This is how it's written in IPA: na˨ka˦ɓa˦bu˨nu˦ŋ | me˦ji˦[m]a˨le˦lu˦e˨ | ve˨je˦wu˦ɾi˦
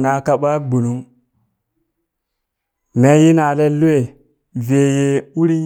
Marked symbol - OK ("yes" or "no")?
no